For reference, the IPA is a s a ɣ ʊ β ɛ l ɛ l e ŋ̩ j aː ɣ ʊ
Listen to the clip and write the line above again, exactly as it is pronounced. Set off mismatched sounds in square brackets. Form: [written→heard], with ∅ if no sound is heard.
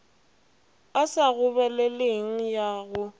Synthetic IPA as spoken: a s a ɣ ʊ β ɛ l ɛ l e ŋ̩ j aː ɣ ʊ